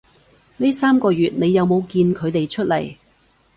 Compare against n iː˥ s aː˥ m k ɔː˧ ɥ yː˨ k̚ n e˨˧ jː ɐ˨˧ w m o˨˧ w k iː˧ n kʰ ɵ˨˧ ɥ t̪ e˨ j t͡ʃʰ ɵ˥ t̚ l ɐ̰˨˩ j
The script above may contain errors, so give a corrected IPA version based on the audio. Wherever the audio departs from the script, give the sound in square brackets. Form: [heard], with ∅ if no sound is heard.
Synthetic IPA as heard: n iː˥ s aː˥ m k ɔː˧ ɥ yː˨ [t̚] n e˨˧ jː ɐ˨˧ w m o˨˧ w k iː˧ n kʰ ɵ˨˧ ɥ t̪ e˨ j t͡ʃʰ ɵ˥ t̚ l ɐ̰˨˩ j